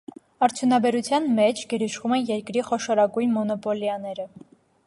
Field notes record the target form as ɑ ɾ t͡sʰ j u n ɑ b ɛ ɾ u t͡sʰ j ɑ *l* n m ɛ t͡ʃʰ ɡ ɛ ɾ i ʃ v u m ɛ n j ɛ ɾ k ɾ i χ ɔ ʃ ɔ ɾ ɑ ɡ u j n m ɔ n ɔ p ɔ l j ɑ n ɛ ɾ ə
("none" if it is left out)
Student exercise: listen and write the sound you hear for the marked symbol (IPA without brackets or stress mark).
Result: none